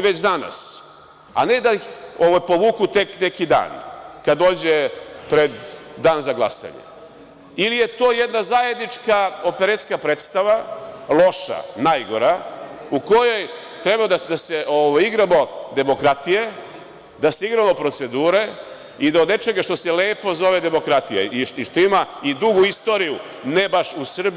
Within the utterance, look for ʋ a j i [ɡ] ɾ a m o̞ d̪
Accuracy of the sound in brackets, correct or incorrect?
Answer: correct